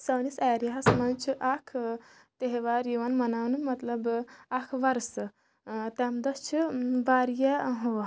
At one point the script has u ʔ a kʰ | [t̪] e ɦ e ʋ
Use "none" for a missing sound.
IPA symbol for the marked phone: t̪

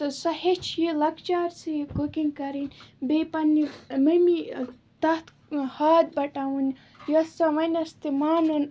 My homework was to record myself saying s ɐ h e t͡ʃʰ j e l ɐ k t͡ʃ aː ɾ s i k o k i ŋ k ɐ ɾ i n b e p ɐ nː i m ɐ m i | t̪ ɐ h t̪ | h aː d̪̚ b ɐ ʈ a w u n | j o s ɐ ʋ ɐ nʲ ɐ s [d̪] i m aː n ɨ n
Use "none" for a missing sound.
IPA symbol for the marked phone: t̪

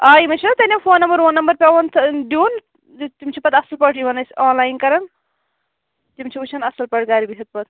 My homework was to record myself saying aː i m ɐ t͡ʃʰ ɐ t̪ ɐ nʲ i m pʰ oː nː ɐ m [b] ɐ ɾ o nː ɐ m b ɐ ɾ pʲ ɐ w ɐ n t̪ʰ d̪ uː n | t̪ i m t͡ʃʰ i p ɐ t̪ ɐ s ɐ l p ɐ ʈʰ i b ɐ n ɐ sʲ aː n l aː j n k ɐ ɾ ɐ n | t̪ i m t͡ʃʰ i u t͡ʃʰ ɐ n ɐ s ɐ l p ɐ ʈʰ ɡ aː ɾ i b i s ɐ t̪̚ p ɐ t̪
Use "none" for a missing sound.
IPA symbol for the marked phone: b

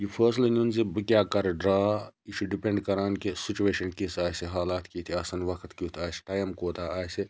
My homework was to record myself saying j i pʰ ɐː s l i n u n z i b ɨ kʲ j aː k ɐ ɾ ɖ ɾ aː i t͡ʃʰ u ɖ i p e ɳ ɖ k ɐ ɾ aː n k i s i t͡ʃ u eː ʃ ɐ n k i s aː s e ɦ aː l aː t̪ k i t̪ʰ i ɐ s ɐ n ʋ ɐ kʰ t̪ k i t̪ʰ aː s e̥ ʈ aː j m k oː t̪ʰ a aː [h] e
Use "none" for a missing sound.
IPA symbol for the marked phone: s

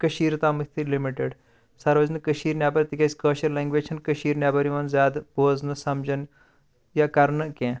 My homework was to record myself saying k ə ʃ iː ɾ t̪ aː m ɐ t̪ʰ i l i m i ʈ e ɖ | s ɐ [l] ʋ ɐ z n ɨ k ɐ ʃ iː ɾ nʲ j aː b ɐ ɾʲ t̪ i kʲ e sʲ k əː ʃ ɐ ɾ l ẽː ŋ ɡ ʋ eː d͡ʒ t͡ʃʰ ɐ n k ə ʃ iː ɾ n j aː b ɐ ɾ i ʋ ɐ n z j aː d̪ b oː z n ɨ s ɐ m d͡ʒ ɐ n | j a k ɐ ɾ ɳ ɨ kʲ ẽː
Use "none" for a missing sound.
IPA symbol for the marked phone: ɾ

